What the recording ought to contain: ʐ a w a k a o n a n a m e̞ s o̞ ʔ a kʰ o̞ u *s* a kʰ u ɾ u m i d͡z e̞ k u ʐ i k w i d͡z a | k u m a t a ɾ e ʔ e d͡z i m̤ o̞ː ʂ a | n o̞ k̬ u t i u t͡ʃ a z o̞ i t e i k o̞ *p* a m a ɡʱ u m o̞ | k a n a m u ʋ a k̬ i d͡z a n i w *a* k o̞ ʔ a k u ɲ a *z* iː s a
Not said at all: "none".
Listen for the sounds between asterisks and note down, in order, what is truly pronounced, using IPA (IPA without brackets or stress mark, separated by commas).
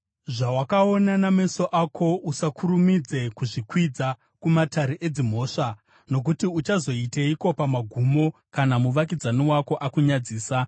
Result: s, p, a, d͡z